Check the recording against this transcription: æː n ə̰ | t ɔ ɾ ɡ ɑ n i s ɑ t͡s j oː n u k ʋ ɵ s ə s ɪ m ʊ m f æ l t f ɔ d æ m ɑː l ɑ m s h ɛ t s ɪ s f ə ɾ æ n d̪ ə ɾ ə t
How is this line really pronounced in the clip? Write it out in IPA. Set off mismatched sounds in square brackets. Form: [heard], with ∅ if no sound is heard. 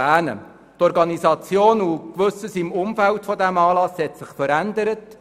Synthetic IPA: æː n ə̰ | t ɔ ɾ ɡ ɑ n i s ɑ t͡s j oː n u k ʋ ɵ s ə s ɪ m ʊ m f æ l t f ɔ d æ m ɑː l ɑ [∅] s h ɛ t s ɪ [χ] f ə ɾ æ n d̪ ə ɾ ə t